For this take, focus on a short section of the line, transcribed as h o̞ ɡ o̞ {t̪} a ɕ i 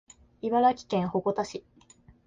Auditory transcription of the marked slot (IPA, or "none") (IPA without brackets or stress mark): t̪